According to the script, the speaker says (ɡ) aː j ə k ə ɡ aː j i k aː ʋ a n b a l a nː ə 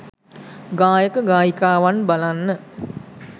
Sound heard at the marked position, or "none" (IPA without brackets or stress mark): ɡ